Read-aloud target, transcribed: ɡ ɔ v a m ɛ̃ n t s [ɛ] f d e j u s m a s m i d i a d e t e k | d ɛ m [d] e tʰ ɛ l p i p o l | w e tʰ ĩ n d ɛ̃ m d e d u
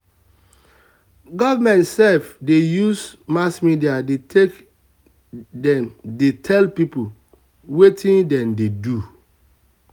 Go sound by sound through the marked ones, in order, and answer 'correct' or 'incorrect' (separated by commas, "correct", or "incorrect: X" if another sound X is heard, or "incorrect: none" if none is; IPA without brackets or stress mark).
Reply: correct, correct